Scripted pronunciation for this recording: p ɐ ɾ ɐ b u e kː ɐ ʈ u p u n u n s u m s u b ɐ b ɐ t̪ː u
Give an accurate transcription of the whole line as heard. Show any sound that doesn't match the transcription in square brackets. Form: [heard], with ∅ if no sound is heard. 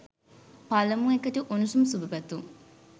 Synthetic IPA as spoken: p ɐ [l] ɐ [m] u e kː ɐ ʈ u [ʔ] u n u [∅] s u m s u b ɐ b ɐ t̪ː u